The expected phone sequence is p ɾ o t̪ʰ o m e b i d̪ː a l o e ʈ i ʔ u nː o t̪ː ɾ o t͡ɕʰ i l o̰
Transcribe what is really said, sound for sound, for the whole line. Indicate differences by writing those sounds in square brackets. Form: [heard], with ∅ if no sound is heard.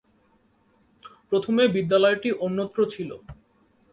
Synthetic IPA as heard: p ɾ o t̪ʰ o m e b i d̪ː a l [ɔ] e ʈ i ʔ [o] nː o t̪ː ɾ o t͡ɕʰ i l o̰